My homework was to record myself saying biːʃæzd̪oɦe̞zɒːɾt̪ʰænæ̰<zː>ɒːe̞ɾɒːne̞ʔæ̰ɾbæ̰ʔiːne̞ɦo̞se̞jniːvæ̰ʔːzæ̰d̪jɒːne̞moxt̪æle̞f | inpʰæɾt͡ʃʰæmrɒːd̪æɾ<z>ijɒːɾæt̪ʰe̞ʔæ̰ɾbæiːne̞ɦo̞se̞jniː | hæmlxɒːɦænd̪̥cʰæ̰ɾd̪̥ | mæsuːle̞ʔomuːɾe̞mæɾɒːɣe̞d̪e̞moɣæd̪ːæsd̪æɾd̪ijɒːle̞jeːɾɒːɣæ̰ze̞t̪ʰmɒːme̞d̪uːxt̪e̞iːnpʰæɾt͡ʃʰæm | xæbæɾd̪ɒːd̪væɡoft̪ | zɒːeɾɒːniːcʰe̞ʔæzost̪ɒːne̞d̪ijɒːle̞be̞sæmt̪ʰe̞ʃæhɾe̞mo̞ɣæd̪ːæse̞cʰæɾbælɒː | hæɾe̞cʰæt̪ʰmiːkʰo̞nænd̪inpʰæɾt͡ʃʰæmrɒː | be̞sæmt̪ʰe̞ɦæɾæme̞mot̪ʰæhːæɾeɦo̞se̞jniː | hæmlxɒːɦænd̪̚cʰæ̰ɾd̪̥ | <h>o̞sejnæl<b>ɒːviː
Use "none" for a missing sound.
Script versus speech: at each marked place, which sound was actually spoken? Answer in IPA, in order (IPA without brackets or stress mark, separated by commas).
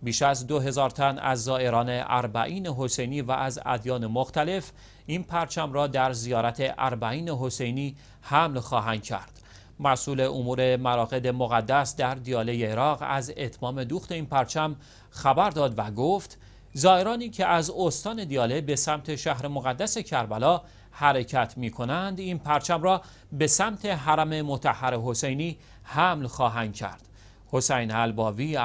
zː, z, h, b